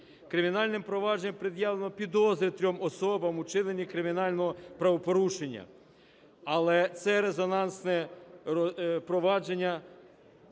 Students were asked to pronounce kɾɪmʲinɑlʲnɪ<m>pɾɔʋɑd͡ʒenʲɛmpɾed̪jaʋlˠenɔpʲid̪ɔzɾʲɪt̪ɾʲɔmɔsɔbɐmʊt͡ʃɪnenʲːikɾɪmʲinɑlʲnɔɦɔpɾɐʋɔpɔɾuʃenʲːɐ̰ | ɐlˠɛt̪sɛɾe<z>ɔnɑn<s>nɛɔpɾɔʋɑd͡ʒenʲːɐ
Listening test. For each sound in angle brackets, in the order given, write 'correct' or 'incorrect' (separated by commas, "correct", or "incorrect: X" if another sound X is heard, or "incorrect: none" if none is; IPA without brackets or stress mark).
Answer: correct, correct, correct